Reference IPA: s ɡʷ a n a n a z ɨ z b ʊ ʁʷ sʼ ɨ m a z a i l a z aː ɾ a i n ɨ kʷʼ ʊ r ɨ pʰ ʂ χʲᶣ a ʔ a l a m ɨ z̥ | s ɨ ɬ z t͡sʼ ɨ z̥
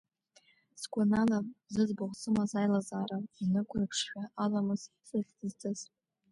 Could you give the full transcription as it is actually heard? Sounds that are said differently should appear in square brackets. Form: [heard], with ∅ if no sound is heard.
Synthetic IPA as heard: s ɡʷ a n a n a z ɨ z b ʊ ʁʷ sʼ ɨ m a z a [j] l a z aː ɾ a i n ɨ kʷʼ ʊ r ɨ pʰ ʂ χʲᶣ a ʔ a l a m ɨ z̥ | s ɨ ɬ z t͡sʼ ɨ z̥